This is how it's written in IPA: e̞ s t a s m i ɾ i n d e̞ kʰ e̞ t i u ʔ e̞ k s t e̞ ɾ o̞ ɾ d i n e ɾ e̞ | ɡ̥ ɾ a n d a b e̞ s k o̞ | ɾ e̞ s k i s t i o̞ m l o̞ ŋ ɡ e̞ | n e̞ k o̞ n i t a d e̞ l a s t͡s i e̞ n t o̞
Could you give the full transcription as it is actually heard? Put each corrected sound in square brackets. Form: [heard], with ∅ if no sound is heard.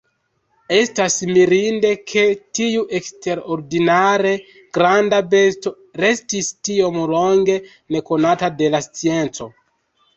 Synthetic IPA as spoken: e̞ s t a s m i ɾ i n d e̞ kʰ e̞ t i u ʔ e̞ k s t e̞ ɾ o̞ ɾ d i n [a] ɾ e̞ | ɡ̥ ɾ a n d a b e̞ s [t] o̞ | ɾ e̞ s [t] i s t i o̞ m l o̞ ŋ ɡ e̞ | n e̞ k o̞ n [a] t a d e̞ l a s t͡s i e̞ n [t͡s] o̞